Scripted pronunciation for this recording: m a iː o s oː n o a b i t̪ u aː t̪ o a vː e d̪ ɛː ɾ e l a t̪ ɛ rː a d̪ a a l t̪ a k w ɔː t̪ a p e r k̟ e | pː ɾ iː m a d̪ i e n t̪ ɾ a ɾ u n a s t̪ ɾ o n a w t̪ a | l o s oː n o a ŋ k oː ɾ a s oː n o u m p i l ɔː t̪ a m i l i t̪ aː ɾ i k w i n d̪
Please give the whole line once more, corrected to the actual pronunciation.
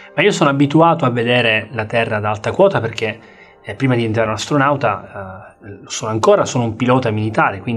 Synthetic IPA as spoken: m a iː o s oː n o a b i t̪ u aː t̪ o a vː e d̪ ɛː ɾ e l a t̪ ɛ rː a d̪ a a l t̪ a k w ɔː t̪ a p e r k̟ e | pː ɾ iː m a d̪ i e n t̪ ɾ a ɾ u n a s t̪ ɾ o n a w t̪ a | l o s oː n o a ŋ k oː ɾ a s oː n o u m p i l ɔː t̪ a m i l i t̪ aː ɾ e k w i n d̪